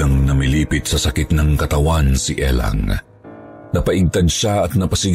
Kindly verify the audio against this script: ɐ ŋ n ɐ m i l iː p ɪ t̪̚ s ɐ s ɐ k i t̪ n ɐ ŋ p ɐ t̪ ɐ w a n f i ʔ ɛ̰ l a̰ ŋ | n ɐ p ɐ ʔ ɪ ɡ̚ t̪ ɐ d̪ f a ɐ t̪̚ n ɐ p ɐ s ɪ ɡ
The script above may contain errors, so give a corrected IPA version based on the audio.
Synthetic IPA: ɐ ŋ n ɐ m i l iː p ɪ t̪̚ s ɐ s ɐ k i t̪ n ɐ ŋ k ɐ t̪ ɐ w a n s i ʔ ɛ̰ l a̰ ŋ | n ɐ p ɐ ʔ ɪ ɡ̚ t̪ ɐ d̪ ʃ a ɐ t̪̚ n ɐ p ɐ s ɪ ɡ